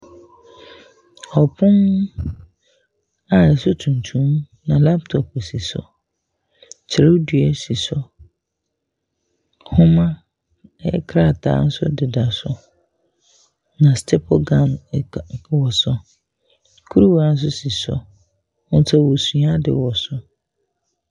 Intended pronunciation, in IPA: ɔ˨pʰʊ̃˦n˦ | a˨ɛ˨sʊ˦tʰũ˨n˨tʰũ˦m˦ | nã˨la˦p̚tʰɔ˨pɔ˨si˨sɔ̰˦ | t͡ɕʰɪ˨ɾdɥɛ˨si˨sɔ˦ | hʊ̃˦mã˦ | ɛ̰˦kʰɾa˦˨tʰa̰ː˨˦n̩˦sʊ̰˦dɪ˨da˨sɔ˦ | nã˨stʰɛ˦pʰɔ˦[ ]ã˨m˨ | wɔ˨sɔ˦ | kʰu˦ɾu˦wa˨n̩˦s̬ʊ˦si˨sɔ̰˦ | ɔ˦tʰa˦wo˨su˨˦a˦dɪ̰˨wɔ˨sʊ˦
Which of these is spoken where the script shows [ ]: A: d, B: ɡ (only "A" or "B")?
B